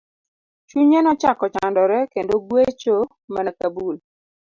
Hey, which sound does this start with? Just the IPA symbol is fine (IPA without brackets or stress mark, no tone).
t͡ʃ